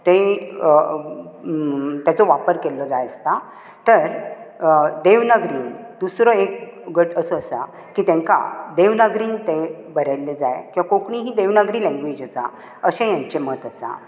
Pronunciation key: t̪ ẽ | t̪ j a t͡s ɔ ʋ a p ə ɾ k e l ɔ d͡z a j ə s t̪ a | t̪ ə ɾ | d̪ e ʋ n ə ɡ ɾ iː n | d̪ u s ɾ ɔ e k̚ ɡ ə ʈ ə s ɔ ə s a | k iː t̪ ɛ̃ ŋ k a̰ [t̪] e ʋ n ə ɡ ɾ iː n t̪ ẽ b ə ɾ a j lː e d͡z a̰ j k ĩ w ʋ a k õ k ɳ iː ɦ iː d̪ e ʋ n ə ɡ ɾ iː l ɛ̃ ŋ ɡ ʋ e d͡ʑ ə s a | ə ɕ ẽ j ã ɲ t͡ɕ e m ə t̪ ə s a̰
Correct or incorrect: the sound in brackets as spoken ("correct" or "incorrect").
incorrect